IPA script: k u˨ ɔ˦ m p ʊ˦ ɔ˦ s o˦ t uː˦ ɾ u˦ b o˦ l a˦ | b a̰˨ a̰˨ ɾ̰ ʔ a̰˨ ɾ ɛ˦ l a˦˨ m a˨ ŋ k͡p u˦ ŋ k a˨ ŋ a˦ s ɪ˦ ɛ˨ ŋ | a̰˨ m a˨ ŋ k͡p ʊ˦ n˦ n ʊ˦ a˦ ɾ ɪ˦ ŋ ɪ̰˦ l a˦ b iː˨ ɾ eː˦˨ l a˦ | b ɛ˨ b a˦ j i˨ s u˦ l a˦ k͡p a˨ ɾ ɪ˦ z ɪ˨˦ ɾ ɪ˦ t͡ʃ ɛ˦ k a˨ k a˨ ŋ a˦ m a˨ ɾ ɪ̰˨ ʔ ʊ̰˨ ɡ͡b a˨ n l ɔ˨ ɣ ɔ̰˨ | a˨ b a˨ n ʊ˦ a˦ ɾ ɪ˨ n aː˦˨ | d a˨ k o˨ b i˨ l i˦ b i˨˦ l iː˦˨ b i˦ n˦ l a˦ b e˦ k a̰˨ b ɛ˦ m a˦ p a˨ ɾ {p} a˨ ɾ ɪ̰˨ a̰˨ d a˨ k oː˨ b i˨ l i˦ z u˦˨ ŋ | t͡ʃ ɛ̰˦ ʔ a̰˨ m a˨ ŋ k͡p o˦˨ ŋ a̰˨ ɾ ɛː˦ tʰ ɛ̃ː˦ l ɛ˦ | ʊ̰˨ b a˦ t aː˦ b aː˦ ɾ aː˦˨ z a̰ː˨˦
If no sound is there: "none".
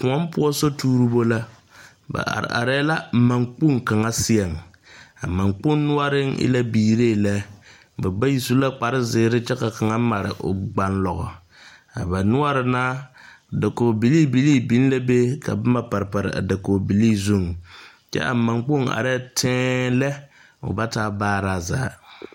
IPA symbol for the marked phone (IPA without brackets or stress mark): p